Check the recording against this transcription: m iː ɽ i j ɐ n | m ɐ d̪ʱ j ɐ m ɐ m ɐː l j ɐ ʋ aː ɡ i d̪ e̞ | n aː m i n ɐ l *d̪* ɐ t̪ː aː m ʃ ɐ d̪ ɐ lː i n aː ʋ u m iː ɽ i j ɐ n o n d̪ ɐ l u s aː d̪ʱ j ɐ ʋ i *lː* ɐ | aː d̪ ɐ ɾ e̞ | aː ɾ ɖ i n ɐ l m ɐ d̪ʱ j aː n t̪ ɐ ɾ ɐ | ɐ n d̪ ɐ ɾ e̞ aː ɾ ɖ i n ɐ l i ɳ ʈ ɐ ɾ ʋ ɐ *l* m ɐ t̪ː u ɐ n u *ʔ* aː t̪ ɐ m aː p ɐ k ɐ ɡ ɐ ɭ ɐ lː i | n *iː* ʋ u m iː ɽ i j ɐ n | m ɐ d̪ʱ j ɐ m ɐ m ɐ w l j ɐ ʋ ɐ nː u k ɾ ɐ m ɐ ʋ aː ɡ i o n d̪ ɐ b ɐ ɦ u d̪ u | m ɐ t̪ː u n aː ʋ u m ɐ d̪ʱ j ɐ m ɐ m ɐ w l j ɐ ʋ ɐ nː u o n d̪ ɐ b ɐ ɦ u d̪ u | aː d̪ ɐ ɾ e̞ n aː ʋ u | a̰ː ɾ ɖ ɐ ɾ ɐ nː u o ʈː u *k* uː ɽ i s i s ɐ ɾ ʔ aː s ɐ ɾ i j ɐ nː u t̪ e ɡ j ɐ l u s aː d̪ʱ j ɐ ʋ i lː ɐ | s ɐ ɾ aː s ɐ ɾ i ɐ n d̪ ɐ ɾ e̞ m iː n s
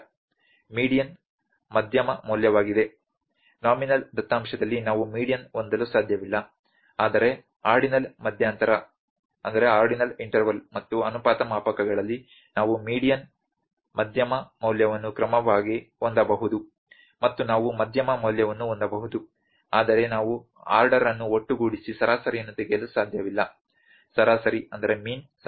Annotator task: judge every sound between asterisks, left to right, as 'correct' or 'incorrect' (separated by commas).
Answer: correct, correct, correct, incorrect, incorrect, incorrect